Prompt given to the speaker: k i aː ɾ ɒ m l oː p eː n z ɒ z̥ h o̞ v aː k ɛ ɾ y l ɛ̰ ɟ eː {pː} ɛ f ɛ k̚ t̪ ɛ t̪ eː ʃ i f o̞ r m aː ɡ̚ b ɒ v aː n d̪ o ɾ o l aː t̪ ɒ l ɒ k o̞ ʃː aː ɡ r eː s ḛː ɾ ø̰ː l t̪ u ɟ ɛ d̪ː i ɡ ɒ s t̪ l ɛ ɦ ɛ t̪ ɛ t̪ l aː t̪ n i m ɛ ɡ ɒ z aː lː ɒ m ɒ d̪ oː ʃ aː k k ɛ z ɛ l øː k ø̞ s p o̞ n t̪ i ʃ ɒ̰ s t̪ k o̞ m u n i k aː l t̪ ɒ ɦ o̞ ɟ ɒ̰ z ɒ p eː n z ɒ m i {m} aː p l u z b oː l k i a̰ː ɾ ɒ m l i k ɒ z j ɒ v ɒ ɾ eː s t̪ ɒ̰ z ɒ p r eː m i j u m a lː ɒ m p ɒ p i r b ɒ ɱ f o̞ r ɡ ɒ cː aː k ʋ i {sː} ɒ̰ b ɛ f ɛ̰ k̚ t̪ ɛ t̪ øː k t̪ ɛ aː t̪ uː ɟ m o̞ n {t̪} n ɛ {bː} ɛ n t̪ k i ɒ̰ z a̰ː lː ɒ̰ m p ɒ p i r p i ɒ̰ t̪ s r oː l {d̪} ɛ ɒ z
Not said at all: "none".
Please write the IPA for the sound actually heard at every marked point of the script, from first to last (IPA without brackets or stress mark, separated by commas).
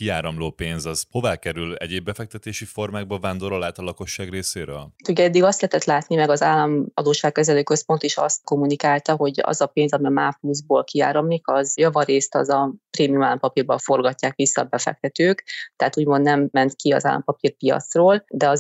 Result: bː, m, sː, d̪, mː, d̪